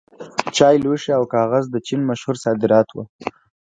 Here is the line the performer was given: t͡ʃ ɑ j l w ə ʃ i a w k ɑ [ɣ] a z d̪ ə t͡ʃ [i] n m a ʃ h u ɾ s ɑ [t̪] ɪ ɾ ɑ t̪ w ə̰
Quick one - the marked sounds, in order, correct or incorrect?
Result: correct, correct, incorrect: d̪

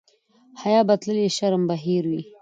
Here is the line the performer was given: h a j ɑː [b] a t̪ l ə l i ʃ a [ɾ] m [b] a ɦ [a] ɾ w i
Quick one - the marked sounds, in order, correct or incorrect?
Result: correct, correct, correct, incorrect: i

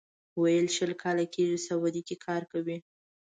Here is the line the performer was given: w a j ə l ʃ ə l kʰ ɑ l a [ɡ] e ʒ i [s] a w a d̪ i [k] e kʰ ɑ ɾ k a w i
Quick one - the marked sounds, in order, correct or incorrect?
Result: incorrect: k, correct, correct

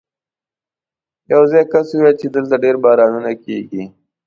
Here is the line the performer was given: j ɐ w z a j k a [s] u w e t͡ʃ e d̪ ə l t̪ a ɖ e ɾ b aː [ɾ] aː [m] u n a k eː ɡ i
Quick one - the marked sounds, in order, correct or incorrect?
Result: correct, correct, incorrect: n

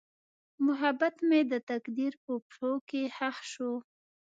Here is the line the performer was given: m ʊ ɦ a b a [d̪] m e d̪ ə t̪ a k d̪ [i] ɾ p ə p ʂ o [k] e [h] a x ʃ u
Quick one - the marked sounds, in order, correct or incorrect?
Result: incorrect: t̪, correct, correct, correct

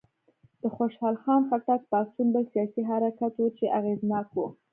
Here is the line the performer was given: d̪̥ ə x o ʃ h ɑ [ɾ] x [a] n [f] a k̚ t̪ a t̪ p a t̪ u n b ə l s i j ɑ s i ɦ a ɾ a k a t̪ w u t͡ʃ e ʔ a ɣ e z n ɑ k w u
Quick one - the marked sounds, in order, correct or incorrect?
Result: incorrect: l, incorrect: ɑ, correct

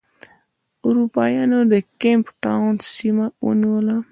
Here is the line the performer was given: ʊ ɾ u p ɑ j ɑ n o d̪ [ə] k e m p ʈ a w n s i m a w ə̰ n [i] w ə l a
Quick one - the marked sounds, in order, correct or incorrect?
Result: correct, correct

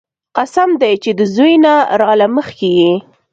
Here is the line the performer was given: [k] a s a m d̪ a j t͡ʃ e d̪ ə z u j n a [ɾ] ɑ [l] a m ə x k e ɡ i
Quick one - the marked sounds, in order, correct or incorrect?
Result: incorrect: q, correct, correct

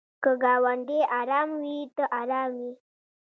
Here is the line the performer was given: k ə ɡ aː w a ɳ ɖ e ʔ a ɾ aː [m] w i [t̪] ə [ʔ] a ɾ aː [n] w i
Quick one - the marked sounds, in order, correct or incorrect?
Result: correct, correct, correct, incorrect: m

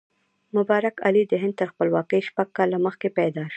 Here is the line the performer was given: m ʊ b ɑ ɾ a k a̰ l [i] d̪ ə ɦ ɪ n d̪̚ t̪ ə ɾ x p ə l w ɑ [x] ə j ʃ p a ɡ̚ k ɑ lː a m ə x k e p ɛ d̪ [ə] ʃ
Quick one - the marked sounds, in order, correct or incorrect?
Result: correct, incorrect: k, incorrect: ɑ

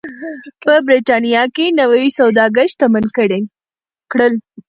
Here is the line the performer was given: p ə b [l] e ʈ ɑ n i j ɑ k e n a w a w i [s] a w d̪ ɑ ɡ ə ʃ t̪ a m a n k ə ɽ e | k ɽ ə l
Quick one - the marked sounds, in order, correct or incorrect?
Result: incorrect: ɾ, correct

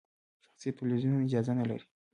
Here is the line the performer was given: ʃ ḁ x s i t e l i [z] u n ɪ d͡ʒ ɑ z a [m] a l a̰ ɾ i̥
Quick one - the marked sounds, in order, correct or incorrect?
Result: correct, incorrect: n

